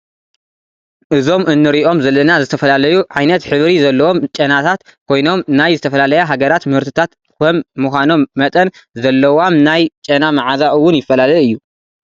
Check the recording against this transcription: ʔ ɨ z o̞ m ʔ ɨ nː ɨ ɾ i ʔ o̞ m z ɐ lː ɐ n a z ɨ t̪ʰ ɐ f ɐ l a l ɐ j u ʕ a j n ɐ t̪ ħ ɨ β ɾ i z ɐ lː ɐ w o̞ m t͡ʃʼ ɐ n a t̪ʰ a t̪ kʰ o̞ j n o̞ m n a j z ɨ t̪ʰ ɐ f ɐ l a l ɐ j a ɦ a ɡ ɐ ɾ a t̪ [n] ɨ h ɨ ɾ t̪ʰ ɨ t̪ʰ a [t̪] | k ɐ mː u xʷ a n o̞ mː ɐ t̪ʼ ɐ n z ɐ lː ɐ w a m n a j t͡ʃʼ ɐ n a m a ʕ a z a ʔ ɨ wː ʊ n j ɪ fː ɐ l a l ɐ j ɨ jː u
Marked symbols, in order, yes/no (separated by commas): no, yes